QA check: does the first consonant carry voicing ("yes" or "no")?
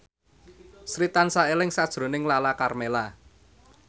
no